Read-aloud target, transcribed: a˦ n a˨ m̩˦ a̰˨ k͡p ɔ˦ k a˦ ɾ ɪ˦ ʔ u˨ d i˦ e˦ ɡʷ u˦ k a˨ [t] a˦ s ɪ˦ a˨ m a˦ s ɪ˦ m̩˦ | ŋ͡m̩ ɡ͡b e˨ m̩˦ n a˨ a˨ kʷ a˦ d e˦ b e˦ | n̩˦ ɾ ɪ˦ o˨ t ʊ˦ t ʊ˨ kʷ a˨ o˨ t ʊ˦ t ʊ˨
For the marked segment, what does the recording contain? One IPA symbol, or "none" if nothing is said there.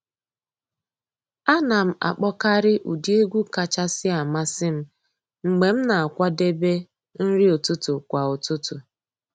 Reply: t͡ʃ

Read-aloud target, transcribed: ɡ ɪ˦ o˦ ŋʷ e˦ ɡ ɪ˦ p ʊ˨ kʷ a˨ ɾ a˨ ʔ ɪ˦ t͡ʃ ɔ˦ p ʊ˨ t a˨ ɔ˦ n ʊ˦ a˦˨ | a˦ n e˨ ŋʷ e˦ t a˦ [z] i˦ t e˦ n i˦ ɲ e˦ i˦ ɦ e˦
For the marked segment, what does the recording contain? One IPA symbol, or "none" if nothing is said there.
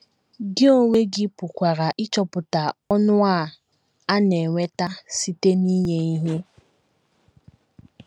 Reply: s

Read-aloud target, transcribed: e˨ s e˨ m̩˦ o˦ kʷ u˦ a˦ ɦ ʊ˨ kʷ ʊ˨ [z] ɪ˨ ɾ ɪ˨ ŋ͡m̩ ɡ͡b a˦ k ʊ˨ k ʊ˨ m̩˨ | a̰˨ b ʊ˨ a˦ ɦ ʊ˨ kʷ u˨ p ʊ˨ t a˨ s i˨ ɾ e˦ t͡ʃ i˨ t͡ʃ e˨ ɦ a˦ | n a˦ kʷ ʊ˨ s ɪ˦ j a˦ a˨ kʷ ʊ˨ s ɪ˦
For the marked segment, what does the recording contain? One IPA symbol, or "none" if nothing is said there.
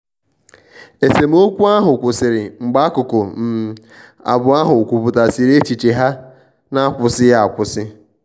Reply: s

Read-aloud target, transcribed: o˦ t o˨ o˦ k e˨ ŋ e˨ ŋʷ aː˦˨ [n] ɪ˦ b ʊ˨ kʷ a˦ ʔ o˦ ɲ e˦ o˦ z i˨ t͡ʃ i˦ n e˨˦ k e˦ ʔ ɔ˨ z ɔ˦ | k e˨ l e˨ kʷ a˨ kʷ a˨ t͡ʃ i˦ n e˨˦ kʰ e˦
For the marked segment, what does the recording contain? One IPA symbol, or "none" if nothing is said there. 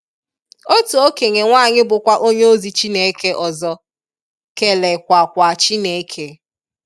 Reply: ɲ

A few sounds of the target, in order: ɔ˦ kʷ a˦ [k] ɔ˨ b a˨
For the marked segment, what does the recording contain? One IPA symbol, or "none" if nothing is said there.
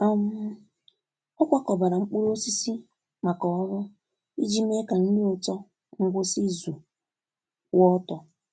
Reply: k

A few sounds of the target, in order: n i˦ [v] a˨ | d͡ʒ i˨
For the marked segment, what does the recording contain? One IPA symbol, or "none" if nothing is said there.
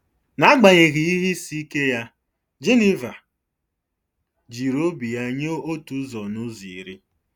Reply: v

